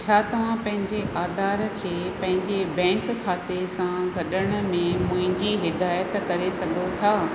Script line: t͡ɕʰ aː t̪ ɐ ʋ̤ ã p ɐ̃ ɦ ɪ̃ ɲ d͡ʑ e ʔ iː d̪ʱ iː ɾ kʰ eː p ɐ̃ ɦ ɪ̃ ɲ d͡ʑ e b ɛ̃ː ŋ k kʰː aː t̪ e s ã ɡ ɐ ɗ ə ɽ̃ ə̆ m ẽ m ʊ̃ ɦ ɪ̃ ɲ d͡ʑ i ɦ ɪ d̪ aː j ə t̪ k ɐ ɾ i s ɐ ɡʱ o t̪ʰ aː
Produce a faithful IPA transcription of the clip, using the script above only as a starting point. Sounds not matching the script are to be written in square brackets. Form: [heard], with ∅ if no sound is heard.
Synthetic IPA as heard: t͡ɕʰ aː t̪ ɐ ʋ̤ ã p ɐ̃ ɦ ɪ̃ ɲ d͡ʑ e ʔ [aː] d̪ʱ [aː] ɾ kʰ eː p ɐ̃ ɦ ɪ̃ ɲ d͡ʑ e b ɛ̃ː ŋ k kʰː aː t̪ e s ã ɡ ɐ ɗ ə ɽ̃ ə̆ m ẽ m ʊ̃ ɦ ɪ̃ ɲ d͡ʑ i ɦ ɪ d̪ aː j ə t̪ k ɐ ɾ [e] s ɐ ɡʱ o t̪ʰ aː